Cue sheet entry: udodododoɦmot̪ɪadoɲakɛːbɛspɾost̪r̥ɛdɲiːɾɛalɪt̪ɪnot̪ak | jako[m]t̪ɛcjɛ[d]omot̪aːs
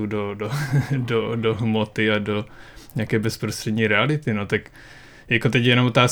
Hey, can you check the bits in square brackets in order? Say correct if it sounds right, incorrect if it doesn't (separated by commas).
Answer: incorrect, incorrect